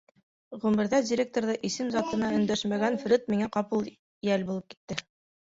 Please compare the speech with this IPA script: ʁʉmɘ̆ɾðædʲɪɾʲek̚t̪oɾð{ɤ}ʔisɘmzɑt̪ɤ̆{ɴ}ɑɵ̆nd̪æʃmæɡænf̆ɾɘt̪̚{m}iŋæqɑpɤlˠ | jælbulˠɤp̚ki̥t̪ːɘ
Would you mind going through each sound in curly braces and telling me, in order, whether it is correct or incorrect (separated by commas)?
correct, incorrect, correct